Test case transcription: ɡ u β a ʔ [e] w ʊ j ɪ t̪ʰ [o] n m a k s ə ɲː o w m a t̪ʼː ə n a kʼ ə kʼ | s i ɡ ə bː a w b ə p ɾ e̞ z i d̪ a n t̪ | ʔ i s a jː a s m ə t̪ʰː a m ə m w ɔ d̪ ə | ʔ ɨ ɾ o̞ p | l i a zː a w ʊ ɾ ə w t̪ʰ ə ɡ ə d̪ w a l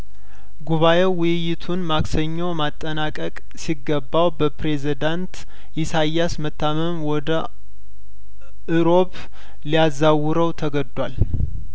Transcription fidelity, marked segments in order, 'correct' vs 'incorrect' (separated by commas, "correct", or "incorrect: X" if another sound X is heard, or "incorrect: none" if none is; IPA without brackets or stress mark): correct, incorrect: u